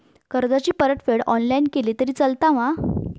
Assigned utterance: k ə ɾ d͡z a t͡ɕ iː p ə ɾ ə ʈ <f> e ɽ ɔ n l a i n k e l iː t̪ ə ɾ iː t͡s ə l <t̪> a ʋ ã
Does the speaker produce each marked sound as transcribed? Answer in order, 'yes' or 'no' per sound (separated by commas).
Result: yes, yes